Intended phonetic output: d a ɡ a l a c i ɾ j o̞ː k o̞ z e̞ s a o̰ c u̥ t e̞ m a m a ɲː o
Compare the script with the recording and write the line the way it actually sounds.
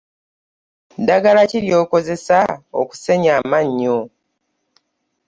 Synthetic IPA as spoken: d a ɡ a l a c i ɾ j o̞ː k o̞ z e̞ s a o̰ k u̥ s e̞ ɲ a m a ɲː o